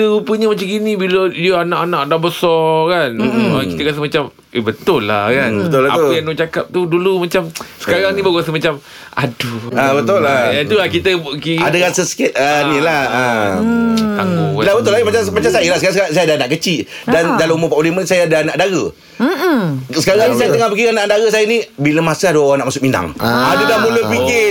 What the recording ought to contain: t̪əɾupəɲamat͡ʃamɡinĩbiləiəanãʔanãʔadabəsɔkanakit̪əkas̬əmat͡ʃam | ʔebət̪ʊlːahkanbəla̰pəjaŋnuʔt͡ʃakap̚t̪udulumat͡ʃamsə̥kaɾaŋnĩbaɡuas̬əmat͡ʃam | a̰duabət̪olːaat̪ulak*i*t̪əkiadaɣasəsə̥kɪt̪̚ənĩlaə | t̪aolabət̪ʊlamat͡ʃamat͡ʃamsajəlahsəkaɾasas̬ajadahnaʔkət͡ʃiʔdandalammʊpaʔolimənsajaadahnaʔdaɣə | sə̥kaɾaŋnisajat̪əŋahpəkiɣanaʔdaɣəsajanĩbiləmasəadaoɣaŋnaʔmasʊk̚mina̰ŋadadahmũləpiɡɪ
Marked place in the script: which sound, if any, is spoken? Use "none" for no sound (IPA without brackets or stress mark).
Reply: i